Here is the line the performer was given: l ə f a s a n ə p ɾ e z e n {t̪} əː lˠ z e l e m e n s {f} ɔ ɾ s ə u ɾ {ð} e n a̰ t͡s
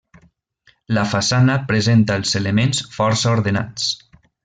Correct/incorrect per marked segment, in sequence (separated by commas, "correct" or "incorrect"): correct, correct, correct